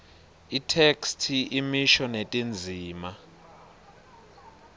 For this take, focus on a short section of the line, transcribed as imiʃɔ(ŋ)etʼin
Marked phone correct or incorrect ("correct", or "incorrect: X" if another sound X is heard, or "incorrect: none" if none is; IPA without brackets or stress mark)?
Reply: incorrect: n